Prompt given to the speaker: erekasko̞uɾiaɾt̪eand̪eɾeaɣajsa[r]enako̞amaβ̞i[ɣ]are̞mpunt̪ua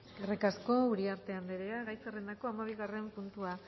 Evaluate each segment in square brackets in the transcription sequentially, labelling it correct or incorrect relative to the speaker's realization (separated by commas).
correct, correct